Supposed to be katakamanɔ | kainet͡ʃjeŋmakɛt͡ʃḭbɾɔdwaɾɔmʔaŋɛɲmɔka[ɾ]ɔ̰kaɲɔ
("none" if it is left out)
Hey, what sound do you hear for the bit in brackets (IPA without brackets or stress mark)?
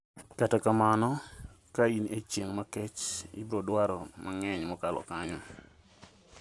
l